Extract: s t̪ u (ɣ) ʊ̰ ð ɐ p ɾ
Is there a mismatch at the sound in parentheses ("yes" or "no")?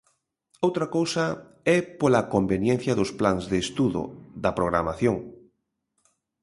yes